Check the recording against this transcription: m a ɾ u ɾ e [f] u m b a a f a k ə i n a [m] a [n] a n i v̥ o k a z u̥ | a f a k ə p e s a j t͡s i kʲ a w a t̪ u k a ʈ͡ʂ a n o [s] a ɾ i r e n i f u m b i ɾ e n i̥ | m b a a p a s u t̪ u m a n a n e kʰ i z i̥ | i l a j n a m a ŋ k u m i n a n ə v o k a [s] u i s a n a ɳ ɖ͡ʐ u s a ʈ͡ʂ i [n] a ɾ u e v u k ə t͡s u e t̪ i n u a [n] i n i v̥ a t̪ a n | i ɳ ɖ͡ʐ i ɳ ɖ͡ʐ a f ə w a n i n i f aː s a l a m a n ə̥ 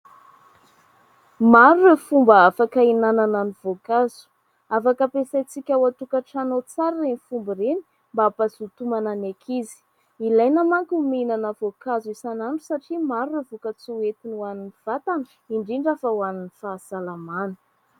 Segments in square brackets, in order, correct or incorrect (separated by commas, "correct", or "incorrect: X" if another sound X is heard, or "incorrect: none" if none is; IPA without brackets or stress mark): correct, incorrect: n, correct, incorrect: t͡s, incorrect: z, incorrect: m, correct